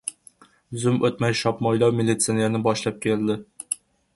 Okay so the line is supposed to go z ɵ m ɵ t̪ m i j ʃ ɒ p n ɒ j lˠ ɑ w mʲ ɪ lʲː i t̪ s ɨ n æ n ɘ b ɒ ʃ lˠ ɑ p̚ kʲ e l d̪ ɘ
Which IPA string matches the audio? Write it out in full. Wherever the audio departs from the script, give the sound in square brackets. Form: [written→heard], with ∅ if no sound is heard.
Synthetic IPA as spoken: z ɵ m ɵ t̪ m [i→æ] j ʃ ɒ p [n→m] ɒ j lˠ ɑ w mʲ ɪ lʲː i t̪ s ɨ n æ n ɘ b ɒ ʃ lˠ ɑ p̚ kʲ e l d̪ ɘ